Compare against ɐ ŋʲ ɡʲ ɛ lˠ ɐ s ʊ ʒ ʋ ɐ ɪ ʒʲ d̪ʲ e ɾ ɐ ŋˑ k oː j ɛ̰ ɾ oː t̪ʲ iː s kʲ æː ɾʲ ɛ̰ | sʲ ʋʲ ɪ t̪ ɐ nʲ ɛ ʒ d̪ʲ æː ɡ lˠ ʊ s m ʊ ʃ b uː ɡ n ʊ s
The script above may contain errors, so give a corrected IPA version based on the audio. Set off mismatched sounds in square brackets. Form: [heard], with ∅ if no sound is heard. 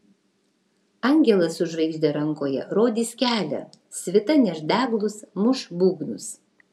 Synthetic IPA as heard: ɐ ŋʲ ɡʲ ɛ lˠ ɐ s ʊ ʒ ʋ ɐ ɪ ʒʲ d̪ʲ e ɾ ɐ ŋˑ k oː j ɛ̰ ɾ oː [d̪ʲ] iː s kʲ æː [lʲ] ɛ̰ | sʲ ʋʲ ɪ t̪ ɐ nʲ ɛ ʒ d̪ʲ æː ɡ lˠ ʊ s m ʊ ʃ b uː ɡ n ʊ s